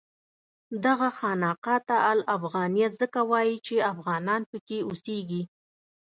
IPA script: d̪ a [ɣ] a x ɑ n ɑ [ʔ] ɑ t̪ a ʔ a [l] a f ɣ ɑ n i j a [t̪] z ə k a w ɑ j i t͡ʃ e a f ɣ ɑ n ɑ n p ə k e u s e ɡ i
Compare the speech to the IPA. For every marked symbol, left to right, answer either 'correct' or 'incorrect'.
correct, incorrect, correct, correct

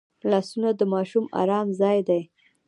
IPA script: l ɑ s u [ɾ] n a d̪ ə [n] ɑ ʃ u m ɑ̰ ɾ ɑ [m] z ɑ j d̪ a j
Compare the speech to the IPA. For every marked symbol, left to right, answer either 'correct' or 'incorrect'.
incorrect, incorrect, correct

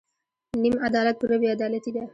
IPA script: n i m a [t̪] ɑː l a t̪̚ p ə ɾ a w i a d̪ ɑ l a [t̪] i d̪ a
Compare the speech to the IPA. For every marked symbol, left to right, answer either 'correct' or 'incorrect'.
incorrect, correct

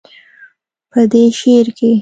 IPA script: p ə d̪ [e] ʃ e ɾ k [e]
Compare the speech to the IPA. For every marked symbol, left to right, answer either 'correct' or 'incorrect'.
correct, correct

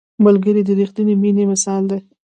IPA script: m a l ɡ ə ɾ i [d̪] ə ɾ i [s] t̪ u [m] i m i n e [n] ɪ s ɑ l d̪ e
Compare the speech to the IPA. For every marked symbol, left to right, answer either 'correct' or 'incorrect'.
correct, incorrect, incorrect, incorrect

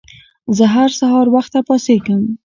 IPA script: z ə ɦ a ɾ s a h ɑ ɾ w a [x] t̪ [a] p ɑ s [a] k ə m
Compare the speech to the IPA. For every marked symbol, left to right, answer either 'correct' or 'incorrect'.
correct, correct, incorrect

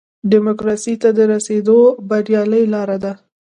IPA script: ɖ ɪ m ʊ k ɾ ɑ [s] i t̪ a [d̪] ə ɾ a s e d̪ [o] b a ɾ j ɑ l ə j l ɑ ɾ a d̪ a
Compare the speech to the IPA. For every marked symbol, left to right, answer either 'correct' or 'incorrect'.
correct, correct, correct

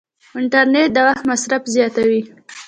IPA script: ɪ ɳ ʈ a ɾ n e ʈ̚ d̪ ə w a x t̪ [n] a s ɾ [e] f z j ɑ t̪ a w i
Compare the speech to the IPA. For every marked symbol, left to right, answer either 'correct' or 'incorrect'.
incorrect, incorrect

